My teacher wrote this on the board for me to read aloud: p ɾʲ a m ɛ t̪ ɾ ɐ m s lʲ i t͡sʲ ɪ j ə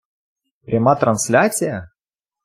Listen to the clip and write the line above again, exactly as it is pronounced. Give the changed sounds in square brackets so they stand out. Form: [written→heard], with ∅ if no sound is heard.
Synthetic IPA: p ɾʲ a m [ɛ→a] t̪ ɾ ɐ [m→n] s lʲ [i→a] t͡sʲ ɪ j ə